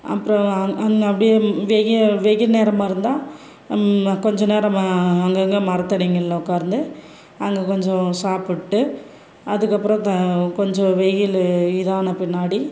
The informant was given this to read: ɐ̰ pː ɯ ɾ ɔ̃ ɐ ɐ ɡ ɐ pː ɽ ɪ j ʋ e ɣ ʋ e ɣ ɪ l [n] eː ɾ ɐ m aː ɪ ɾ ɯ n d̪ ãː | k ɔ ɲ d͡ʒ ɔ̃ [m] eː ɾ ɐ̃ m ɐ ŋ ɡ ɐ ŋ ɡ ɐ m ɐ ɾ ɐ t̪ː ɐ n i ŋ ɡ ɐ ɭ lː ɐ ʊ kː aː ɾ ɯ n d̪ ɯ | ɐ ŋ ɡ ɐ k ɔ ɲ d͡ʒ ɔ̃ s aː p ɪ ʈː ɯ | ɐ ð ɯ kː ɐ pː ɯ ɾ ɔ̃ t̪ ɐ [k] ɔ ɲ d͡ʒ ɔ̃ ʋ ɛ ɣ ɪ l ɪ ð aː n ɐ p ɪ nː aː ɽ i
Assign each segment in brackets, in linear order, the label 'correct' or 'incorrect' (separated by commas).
correct, incorrect, correct